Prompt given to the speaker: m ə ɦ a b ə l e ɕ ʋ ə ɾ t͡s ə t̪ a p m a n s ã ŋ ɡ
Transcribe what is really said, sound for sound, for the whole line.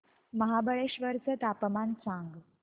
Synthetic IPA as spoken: m ə ɦ a b ə ɭ e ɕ ʋ ə ɾ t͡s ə t̪ a p m a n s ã ŋ ɡ